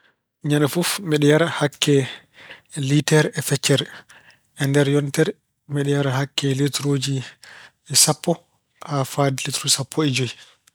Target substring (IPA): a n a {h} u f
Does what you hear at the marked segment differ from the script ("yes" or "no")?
yes